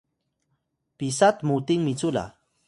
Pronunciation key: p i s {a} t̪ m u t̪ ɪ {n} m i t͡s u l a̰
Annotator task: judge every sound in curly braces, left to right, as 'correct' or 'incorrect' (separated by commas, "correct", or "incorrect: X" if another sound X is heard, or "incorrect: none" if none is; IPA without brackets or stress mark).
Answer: correct, incorrect: ŋ